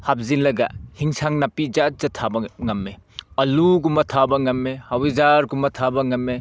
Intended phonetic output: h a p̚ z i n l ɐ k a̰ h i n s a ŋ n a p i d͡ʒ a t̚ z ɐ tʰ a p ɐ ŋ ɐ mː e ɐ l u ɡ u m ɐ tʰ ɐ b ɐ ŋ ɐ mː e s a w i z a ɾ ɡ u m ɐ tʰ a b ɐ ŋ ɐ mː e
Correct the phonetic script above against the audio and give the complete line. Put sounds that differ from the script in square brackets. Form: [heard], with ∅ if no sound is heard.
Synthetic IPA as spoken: h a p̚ z i n l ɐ [ɡ] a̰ h i [ŋ] s a ŋ n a p i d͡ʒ a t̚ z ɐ tʰ a [b] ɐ ŋ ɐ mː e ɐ l u ɡ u m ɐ tʰ [a] b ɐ ŋ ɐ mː e [h] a w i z a ɾ ɡ u m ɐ tʰ a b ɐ ŋ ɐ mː e